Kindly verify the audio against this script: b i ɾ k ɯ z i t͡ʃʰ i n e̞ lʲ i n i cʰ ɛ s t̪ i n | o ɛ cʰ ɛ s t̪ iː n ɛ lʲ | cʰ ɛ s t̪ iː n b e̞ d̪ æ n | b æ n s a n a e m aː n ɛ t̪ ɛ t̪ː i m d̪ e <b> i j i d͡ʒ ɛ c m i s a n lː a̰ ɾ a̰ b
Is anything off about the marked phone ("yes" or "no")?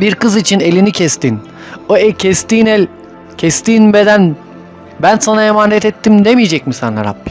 yes